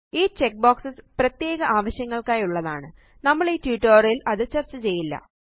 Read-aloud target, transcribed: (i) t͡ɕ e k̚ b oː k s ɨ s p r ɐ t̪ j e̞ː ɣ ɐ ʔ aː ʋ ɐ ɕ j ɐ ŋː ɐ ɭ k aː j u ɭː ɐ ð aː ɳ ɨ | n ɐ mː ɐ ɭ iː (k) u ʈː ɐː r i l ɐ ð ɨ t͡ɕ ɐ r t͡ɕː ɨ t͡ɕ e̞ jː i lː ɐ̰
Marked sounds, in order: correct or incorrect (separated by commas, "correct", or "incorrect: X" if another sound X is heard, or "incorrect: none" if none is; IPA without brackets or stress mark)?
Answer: incorrect: iː, incorrect: t